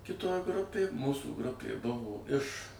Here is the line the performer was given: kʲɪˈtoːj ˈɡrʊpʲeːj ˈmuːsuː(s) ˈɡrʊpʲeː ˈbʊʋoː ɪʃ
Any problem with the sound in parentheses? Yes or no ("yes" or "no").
yes